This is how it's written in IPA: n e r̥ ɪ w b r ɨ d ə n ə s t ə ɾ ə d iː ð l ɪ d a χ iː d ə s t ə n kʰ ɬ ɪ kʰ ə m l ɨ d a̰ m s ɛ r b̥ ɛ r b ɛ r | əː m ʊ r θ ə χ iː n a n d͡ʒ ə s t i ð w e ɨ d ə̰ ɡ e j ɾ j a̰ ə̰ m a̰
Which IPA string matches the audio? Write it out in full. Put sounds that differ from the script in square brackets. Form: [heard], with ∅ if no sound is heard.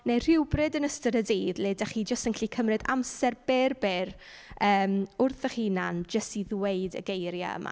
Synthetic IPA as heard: n e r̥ ɪ w b r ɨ d ə n ə s t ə ɾ ə d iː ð l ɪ d a χ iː [d͡ʒ] ə s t ə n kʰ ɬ [i] kʰ ə m [r] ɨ d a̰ m s ɛ r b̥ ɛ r b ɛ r | əː m ʊ r θ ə χ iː n a n d͡ʒ ə s t i ð w e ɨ d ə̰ ɡ e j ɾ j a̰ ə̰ m a̰